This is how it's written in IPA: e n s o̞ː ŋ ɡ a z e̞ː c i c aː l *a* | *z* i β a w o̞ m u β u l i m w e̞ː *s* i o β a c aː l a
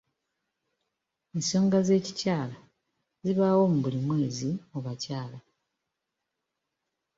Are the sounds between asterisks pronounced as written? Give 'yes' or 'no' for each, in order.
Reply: yes, yes, no

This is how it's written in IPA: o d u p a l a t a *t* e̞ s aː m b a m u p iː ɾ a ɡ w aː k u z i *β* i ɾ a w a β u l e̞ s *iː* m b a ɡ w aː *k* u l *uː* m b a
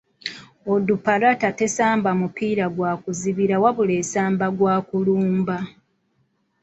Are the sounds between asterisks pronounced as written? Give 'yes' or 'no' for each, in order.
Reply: yes, yes, no, yes, yes

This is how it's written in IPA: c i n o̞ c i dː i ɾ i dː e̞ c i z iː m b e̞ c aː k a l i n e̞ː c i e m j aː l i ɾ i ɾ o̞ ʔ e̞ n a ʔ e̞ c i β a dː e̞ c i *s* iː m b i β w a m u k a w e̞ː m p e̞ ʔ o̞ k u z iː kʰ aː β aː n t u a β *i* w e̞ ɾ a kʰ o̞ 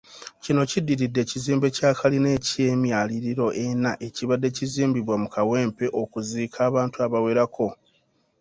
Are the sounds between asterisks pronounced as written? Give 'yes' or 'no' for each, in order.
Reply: no, no

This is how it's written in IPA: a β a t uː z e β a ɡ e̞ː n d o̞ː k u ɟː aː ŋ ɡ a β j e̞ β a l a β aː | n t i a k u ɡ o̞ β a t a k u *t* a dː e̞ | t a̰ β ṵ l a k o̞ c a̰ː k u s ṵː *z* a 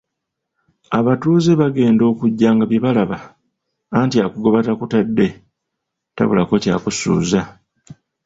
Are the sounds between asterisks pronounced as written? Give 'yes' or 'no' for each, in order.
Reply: yes, yes

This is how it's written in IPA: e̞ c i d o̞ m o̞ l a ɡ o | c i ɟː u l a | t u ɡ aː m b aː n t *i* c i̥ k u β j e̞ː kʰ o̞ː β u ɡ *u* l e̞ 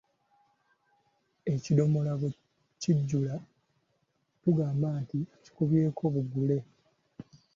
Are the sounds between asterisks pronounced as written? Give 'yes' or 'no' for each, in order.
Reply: yes, yes

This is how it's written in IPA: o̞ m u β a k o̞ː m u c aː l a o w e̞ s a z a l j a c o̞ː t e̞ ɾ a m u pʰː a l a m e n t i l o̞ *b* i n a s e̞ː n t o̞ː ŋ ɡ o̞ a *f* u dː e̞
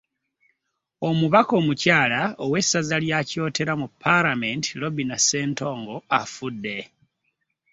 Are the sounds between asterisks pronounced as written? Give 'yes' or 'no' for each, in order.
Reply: yes, yes

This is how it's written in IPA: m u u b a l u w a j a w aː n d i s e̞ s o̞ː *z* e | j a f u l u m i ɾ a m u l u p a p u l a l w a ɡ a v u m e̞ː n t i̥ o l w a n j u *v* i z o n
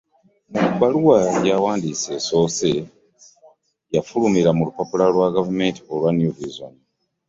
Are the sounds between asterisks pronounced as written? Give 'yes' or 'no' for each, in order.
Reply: no, yes

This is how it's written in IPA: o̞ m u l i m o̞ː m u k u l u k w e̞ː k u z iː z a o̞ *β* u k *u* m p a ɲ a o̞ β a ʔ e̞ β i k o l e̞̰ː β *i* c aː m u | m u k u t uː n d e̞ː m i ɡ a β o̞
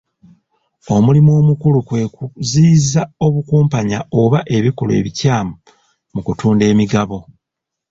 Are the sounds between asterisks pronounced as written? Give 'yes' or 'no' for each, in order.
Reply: yes, no, yes

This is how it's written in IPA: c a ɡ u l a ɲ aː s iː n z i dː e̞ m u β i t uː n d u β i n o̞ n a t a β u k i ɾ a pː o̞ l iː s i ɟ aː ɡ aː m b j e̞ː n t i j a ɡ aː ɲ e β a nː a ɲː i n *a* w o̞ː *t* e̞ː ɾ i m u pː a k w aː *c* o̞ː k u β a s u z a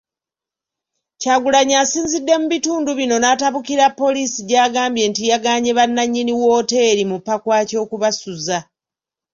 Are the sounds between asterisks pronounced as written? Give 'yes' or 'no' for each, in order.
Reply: no, yes, yes

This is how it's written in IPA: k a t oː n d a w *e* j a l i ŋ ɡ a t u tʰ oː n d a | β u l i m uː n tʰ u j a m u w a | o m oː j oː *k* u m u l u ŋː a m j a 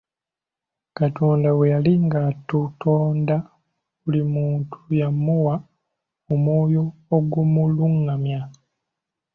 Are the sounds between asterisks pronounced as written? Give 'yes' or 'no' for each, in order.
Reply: yes, no

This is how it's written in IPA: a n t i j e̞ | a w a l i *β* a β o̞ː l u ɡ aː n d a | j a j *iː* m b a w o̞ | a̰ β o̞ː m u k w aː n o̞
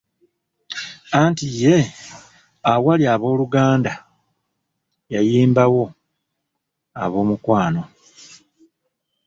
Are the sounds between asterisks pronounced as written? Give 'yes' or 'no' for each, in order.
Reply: no, yes

